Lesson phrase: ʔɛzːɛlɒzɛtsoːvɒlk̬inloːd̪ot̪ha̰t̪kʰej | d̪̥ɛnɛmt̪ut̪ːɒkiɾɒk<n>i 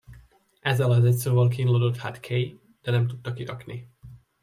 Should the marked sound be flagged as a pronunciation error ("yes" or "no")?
no